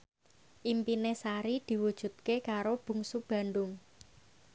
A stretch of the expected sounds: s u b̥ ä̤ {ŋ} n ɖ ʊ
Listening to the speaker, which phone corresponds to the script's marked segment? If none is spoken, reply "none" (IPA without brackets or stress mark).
none